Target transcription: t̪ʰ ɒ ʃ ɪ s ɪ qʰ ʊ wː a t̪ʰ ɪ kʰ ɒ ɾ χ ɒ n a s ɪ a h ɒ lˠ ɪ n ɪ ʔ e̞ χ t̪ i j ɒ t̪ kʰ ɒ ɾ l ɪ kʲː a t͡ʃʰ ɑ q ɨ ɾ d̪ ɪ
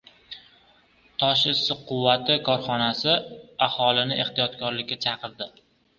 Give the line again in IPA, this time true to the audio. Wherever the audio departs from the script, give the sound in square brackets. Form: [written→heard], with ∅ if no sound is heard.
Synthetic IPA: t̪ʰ ɒ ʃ ɪ s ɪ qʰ ʊ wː a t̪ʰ ɪ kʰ ɒ ɾ χ ɒ n a s ɪ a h ɒ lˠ ɪ n ɪ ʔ e̞ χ t̪ i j ɒ t̪ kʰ ɒ ɾ l ɪ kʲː a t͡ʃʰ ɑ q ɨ ɾ d̪ ɪ